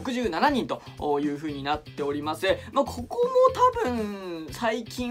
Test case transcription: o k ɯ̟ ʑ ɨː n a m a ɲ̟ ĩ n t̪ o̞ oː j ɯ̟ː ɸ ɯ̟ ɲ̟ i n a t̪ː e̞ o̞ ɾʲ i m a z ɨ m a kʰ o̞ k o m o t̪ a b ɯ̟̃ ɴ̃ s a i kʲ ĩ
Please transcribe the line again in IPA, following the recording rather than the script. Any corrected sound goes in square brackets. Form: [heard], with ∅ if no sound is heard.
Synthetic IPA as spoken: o k ɯ̟ ʑ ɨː n a [n] a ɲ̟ ĩ n t̪ o̞ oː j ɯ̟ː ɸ [ɯ̟ː] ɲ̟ i n a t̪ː e̞ o̞ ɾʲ i m a [s] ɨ m a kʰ o̞ k o m o t̪ a b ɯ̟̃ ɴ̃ s a i kʲ ĩ